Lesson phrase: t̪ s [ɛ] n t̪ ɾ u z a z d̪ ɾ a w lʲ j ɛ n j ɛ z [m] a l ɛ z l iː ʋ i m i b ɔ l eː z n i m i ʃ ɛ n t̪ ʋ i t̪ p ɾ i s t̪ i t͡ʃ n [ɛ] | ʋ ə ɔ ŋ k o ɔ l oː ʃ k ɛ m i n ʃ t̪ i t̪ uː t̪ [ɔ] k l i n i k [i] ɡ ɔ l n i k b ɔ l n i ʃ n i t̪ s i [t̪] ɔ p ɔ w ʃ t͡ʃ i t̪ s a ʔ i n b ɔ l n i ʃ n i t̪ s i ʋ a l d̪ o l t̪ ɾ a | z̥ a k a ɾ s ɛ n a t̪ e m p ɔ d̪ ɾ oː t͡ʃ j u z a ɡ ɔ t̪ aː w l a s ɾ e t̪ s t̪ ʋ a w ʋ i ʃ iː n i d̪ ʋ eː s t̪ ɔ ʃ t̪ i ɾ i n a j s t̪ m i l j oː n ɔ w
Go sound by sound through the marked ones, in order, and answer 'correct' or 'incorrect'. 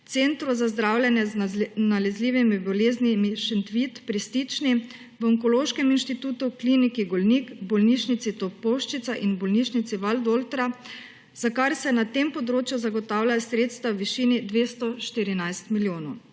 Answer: incorrect, incorrect, incorrect, incorrect, correct, correct

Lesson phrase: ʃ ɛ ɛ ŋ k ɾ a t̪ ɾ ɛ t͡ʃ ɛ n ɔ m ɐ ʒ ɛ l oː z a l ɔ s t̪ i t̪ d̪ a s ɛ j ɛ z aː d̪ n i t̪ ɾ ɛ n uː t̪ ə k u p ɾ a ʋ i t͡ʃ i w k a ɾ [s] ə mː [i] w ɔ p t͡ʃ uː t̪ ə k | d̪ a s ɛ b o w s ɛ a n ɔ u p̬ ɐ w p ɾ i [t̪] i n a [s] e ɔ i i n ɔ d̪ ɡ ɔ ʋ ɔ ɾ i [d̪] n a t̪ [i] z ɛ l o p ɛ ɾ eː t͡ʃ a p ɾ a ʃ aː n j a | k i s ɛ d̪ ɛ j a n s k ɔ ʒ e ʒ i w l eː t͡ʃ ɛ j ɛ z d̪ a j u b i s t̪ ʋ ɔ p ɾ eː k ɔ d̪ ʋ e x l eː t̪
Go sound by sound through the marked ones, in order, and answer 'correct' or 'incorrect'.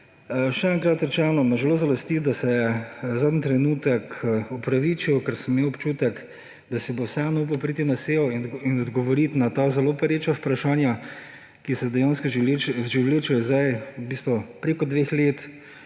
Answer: correct, incorrect, correct, correct, incorrect, incorrect

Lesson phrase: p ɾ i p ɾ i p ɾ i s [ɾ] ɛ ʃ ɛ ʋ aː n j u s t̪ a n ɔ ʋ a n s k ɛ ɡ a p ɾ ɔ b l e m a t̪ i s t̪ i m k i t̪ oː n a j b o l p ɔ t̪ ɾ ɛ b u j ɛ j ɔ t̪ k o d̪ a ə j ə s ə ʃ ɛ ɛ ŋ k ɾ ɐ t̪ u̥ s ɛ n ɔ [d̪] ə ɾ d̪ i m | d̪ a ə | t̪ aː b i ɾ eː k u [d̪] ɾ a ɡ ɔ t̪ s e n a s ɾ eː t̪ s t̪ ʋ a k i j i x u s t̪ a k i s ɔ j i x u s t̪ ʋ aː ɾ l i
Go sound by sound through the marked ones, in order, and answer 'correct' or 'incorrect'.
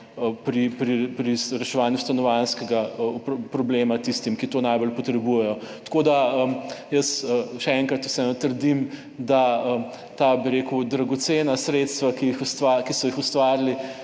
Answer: correct, incorrect, correct

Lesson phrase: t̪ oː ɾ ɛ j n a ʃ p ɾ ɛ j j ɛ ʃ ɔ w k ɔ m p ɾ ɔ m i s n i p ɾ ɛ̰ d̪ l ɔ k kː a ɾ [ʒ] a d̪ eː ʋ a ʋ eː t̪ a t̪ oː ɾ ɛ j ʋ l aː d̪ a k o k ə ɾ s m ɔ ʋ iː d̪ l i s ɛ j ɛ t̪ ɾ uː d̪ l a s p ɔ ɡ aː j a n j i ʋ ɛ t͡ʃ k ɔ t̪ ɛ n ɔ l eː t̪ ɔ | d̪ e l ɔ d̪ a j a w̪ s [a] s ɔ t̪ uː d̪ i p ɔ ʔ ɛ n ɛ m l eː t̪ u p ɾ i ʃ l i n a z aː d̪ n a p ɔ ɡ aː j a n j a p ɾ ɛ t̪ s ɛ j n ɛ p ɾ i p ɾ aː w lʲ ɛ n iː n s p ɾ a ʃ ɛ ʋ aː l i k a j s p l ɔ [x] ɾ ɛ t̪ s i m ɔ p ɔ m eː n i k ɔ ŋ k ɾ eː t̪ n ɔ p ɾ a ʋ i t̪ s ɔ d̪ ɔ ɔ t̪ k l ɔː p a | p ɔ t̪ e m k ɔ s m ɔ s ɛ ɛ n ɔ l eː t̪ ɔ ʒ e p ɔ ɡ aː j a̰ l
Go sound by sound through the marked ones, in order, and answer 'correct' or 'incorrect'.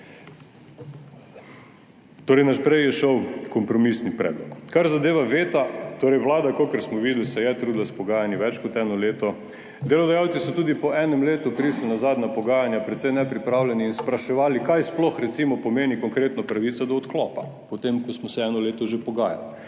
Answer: incorrect, incorrect, correct

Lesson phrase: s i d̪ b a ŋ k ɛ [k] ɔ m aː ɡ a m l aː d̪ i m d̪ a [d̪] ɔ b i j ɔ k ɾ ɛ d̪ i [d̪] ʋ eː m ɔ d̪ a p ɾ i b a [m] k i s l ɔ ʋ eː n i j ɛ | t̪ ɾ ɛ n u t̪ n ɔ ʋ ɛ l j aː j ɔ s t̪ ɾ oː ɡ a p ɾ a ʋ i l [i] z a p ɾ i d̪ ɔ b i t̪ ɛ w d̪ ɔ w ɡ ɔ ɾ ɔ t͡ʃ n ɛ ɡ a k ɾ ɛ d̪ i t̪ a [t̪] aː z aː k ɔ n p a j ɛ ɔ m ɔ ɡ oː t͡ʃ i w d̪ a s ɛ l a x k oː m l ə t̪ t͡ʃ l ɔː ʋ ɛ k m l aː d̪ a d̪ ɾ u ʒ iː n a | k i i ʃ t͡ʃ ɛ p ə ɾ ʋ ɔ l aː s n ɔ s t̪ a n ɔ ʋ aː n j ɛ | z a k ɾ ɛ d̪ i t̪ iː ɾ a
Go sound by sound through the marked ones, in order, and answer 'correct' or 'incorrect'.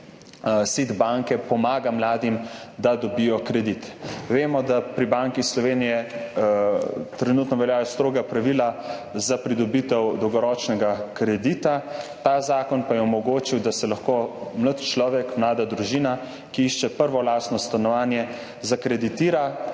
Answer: incorrect, correct, incorrect, incorrect, incorrect, correct

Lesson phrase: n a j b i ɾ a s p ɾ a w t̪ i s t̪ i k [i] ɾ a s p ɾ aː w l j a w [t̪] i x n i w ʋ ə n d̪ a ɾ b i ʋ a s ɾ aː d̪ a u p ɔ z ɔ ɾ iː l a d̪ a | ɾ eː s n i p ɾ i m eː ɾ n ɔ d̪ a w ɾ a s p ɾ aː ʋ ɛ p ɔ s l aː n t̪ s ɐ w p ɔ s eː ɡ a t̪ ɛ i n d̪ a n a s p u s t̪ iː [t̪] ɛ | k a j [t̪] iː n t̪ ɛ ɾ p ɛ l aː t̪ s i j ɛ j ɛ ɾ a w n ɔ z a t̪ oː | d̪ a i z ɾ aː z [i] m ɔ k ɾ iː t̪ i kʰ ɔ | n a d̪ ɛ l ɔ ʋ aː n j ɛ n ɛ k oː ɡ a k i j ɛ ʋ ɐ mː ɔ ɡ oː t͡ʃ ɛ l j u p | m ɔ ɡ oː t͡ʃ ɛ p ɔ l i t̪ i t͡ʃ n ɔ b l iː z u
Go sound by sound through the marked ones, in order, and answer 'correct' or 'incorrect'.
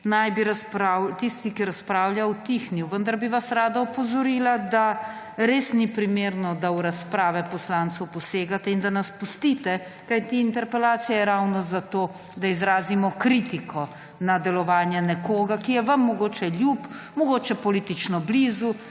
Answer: correct, correct, correct, correct, correct

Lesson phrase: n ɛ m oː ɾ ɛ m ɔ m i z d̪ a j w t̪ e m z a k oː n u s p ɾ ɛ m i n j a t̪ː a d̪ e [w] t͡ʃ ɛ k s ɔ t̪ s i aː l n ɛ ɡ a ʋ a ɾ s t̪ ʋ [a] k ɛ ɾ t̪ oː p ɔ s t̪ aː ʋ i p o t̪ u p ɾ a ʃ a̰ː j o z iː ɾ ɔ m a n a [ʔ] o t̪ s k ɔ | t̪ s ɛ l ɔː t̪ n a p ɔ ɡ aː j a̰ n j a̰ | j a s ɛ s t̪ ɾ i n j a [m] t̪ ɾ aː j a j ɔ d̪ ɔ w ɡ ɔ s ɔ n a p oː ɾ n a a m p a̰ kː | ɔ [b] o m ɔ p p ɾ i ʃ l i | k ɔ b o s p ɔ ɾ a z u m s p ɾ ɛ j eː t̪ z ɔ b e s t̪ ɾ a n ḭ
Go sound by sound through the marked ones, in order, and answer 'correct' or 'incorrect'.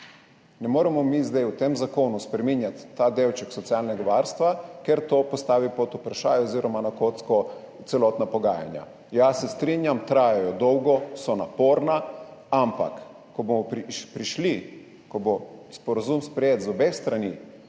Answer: correct, correct, incorrect, correct, correct

